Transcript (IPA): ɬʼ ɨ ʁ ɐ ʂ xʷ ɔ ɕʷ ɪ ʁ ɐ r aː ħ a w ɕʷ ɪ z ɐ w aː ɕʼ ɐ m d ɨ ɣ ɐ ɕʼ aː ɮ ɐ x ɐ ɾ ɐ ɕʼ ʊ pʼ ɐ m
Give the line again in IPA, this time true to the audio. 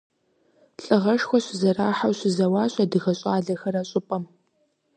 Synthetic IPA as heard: ɬʼ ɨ ʁ ɐ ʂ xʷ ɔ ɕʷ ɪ z ɐ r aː ħ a w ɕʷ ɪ z ɐ w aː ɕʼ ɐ d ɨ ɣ ɐ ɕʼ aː ɮ ɐ x ɐ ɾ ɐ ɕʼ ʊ pʼ ɐ m